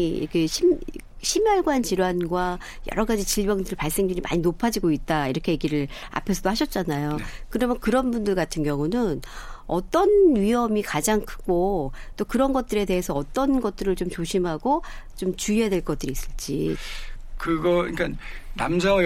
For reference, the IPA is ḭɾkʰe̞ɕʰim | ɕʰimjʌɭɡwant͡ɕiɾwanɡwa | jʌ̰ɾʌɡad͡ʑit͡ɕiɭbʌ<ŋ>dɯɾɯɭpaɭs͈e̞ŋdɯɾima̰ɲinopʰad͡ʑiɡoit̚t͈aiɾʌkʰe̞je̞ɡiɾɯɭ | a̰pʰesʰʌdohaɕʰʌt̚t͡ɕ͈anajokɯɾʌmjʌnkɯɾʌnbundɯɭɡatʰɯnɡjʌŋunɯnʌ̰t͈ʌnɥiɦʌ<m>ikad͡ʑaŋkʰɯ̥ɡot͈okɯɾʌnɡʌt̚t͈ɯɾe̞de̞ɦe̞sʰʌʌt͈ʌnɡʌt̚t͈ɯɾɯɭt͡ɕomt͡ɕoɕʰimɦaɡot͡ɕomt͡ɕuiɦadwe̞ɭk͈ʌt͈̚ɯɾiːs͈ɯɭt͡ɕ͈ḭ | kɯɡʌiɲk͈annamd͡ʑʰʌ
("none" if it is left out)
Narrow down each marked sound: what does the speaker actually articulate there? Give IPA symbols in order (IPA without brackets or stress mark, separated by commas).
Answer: ŋ, m